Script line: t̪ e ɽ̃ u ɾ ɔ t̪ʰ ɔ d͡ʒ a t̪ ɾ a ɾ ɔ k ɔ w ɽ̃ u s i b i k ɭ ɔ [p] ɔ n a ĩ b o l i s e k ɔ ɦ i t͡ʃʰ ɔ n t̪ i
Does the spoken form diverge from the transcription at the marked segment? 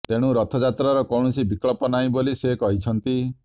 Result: no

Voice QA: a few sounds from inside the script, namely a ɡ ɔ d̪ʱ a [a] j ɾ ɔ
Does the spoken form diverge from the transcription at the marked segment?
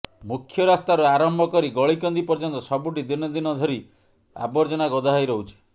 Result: no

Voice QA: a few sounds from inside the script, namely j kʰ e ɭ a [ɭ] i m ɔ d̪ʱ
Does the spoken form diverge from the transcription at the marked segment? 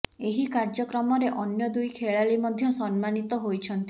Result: yes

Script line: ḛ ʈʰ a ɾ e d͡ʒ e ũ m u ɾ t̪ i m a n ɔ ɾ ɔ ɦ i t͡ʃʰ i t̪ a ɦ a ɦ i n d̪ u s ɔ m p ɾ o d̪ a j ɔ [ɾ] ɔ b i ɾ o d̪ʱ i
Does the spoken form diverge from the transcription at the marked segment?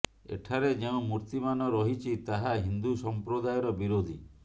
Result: no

